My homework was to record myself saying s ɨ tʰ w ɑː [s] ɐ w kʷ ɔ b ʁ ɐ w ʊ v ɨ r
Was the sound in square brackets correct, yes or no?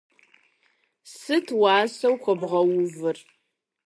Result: yes